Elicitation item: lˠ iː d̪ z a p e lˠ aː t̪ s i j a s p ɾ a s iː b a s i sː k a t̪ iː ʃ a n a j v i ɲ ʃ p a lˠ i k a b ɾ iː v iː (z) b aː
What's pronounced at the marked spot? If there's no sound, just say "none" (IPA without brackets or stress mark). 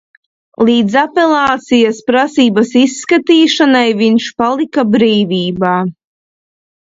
none